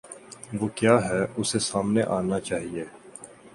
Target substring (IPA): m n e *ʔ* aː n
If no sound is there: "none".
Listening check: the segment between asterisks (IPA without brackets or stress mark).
ʔ